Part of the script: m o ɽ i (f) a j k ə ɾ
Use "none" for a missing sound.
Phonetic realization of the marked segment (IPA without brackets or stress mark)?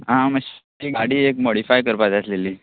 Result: f